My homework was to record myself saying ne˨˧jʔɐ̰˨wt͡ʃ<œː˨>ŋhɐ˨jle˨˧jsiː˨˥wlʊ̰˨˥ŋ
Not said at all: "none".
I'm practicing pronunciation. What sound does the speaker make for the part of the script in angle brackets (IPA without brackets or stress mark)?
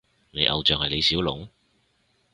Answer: œː˨